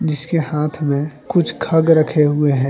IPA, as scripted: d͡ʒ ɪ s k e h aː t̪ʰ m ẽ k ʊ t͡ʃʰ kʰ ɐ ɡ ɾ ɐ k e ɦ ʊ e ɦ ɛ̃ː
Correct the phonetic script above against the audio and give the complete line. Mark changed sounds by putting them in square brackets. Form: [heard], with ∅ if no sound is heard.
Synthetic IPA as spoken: d͡ʒ ɪ s k e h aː t̪ʰ m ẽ k ʊ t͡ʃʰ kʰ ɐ ɡ ɾ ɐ [kʰ] e ɦ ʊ e ɦ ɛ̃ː